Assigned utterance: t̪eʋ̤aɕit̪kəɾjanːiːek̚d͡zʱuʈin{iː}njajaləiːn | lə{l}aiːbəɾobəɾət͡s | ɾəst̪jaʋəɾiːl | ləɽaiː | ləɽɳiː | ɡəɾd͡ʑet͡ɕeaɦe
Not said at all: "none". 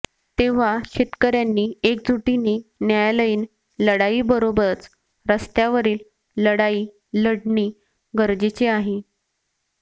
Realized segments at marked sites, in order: iː, ɽ

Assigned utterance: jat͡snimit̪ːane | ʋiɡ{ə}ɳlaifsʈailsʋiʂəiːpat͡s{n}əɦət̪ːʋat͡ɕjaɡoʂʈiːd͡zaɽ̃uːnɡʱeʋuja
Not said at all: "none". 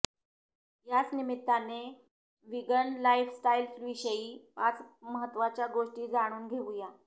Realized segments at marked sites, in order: ə, m

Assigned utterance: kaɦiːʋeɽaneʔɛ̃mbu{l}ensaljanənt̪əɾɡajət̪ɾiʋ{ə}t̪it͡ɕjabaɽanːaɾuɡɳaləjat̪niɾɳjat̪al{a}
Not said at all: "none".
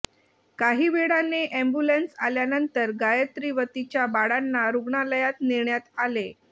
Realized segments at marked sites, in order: l, ə, e

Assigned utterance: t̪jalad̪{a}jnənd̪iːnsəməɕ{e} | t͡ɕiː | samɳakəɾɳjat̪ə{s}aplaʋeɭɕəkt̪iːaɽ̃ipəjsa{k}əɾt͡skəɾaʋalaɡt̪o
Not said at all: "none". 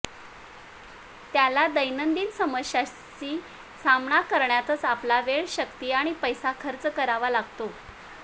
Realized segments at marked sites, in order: ə, a, t͡s, kʰ

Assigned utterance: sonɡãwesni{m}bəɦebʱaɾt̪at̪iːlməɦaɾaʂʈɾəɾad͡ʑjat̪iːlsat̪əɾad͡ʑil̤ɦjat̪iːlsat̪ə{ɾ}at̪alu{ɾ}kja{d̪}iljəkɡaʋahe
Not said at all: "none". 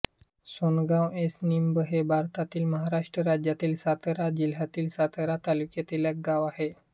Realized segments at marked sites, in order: m, ɾ, none, t̪

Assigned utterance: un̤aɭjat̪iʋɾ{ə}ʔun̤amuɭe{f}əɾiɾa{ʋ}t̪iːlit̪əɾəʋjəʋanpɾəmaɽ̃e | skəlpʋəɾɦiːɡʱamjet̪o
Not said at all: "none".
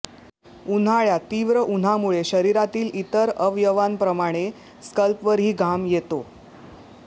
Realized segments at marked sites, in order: ə, ɕ, none

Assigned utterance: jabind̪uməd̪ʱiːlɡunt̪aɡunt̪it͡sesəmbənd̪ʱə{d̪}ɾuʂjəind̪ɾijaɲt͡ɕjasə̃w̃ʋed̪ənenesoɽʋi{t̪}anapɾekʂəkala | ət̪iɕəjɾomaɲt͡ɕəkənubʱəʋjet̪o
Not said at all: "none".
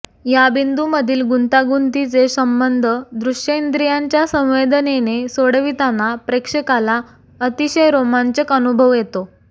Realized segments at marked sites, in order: d̪, t̪

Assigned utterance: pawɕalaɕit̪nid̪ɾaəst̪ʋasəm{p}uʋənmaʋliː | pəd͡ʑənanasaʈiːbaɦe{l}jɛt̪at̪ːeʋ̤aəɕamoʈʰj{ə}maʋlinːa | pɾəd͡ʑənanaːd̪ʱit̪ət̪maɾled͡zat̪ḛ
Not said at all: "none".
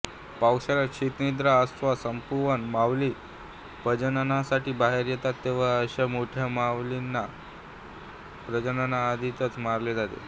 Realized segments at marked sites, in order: p, ɾ, a

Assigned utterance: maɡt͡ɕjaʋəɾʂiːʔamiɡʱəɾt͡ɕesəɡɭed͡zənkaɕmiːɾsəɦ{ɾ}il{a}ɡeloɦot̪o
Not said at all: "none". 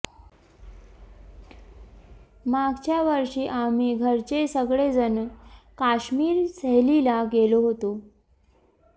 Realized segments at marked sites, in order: l, a

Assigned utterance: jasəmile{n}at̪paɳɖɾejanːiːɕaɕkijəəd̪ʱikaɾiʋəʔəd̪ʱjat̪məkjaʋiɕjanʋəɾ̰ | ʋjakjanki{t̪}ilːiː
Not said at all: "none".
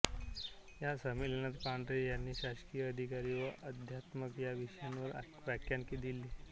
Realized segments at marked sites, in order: n, d̪

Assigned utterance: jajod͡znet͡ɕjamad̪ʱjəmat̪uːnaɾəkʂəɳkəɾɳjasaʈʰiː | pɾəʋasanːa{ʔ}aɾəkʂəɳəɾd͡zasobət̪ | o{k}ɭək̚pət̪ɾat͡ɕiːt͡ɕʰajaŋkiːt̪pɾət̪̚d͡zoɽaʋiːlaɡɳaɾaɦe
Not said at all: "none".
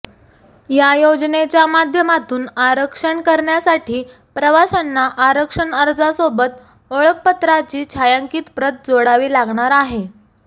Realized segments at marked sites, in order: ʔ, none

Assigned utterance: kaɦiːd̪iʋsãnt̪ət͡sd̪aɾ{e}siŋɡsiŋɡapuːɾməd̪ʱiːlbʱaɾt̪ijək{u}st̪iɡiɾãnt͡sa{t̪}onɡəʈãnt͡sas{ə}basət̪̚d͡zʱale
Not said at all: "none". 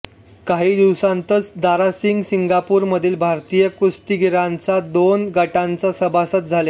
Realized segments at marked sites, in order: a, u, d̪, ə

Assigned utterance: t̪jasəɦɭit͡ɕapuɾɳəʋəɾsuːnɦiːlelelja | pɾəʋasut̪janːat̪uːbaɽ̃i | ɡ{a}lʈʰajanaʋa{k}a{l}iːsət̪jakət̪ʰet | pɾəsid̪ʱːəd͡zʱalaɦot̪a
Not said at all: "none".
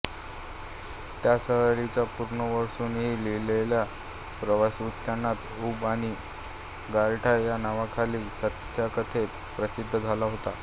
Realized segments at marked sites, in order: a, kʰ, l

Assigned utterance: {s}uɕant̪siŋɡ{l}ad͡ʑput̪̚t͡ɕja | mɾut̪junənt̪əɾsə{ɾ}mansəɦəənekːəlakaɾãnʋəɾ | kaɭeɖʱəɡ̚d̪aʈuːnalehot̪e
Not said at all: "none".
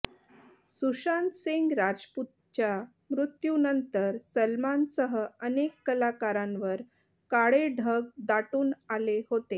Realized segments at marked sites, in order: s, ɾ, l

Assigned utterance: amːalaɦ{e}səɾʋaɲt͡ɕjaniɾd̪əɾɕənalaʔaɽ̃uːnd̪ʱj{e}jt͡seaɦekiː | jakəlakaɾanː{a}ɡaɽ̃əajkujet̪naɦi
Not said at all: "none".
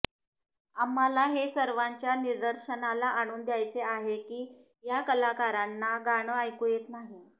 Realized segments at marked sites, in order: e, a, a

